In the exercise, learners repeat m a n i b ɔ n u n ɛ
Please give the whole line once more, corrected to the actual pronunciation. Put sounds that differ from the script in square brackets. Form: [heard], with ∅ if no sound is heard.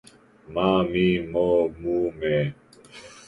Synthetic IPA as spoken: m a [m] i [m] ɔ [m] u [m] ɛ